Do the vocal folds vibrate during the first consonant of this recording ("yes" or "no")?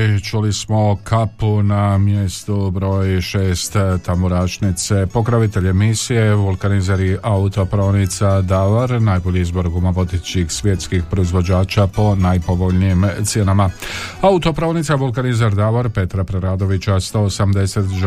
no